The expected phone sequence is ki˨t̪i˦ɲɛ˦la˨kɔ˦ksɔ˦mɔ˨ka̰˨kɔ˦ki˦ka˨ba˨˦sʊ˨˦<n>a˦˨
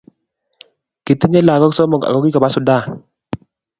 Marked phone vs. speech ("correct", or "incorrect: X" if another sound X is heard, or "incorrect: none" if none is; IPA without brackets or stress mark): incorrect: d